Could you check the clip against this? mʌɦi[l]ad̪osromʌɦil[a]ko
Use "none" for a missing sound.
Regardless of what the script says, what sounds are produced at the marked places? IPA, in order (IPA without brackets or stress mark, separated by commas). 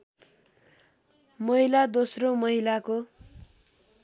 l, a